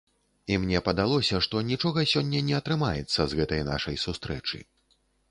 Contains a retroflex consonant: yes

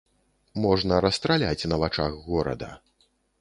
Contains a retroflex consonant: yes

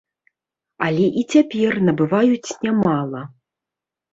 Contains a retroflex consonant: no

